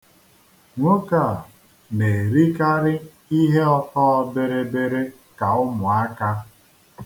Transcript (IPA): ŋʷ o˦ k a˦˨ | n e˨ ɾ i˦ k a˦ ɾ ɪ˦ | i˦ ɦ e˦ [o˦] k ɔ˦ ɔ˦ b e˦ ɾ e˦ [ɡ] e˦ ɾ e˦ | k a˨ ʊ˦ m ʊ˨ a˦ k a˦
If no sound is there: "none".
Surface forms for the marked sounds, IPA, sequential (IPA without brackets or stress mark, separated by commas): ɔ˦, b